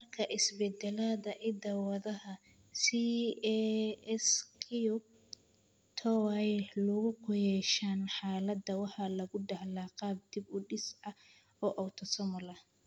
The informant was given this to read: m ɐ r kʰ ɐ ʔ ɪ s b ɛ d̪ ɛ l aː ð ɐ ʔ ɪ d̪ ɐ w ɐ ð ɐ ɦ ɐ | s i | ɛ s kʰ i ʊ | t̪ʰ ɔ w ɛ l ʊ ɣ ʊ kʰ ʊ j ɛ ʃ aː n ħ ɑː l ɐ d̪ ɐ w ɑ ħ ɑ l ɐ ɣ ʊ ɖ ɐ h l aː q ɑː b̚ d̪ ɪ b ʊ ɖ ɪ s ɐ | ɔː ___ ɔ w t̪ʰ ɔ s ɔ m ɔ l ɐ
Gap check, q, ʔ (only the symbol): ʔ